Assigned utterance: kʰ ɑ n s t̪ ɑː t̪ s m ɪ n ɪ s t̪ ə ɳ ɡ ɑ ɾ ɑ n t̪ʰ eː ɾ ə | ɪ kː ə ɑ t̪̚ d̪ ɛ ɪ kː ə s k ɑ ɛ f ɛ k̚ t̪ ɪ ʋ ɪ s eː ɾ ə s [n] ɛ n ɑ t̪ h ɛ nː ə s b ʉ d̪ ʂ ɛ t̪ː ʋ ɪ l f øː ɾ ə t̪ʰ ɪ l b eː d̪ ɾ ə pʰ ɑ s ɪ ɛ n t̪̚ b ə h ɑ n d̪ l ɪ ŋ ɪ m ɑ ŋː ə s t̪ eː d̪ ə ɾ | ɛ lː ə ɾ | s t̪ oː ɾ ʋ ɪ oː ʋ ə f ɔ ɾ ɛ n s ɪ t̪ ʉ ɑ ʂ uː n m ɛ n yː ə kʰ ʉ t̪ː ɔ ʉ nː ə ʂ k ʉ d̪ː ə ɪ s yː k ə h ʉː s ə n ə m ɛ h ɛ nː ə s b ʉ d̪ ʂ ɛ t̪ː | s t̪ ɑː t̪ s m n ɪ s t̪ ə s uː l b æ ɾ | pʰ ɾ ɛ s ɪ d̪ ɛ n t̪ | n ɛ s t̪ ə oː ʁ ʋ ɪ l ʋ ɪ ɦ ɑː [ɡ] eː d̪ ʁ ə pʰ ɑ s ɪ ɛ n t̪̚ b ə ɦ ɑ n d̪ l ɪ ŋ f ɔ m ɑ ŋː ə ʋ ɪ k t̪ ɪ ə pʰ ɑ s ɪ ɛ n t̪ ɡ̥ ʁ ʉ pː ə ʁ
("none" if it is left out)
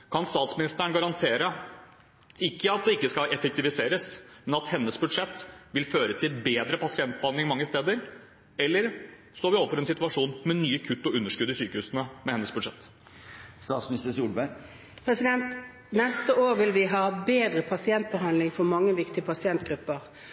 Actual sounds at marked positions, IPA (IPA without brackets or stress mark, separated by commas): m, b